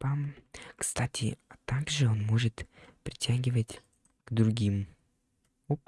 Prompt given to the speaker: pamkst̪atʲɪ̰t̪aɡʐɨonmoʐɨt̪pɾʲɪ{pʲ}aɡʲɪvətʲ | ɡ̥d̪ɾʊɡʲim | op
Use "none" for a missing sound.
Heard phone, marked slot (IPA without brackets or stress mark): tʲ